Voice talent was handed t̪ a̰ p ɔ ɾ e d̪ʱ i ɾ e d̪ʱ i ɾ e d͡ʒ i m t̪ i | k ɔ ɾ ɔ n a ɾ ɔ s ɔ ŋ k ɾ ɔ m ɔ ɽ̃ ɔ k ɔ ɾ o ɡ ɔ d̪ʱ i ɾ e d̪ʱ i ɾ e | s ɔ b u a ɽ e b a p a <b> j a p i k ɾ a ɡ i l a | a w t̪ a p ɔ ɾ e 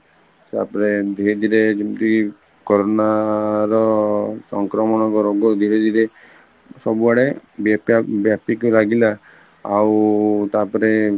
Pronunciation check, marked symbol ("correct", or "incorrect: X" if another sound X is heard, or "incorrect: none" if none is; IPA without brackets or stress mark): correct